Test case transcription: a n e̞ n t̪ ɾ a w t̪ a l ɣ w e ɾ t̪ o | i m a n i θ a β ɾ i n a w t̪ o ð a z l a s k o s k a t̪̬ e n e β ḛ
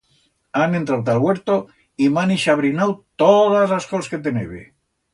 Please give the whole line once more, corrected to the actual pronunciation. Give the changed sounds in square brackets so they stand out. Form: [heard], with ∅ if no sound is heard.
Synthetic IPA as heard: a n e̞ n t̪ ɾ a w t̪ a l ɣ w e ɾ t̪ o | i m a n i [ʃ] a β ɾ i n a w t̪ o ð a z l a s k o s k [e] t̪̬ e n e β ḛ